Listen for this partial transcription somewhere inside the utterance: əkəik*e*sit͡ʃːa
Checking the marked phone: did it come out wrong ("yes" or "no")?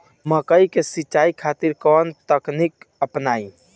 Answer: no